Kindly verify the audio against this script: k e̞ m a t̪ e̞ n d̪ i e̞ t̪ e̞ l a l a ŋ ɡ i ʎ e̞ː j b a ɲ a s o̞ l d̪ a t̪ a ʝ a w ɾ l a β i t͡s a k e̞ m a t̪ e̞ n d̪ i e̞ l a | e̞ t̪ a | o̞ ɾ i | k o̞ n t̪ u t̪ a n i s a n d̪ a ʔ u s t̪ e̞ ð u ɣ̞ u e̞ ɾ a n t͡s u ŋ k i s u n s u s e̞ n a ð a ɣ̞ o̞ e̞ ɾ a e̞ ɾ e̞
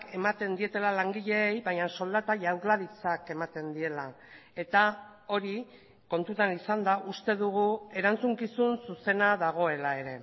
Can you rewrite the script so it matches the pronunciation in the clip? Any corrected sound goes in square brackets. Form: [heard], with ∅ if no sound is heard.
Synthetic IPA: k e̞ m a t̪ e̞ n d̪ i e̞ t̪ e̞ l a l a ŋ ɡ i ʎ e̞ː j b a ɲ a s o̞ l d̪ a t̪ a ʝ a w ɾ l a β i t͡s a k e̞ m a t̪ e̞ n d̪ i e̞ l a | e̞ t̪ a | o̞ ɾ i | k o̞ n t̪ u t̪ a n i s a n d̪ a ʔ u s t̪ e̞ ð u ɣ̞ u e̞ ɾ a n t͡s u ŋ k i s u n s u s e̞ n a ð a ɣ̞ o̞ e̞ [l] a e̞ ɾ e̞